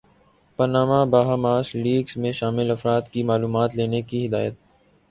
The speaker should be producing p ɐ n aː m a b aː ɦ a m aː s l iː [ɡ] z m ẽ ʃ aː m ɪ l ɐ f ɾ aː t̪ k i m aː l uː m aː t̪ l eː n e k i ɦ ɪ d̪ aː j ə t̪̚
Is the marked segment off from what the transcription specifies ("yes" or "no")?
no